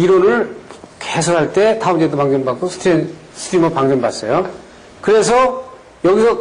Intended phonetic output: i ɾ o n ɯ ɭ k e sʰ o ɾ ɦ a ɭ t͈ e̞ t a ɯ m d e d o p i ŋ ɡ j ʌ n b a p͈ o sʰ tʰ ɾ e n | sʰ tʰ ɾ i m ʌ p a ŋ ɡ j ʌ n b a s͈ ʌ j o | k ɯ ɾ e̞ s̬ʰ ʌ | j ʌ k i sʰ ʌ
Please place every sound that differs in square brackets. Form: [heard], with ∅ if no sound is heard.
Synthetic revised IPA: i ɾ o n ɯ ɭ k e sʰ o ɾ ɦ a ɭ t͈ e̞ t a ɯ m [d͡ʑ] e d o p [a] ŋ ɡ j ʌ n b a [k͈] o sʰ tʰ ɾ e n | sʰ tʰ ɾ i m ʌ p a ŋ ɡ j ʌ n b a s͈ ʌ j o | k ɯ ɾ e̞ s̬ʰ ʌ | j ʌ [ɡ] i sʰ ʌ